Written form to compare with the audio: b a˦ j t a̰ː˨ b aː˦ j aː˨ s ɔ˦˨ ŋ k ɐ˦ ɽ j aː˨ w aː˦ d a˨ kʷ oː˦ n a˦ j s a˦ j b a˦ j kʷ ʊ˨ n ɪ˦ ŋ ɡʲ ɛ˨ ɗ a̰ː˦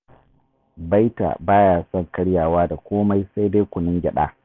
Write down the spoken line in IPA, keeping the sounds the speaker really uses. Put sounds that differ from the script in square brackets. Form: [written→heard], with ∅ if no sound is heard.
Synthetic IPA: b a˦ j t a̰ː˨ b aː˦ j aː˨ s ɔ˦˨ ŋ k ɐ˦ ɽ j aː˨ w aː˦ d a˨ kʷ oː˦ [n→m] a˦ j s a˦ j [b→d] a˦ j kʷ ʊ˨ n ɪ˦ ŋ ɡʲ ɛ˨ ɗ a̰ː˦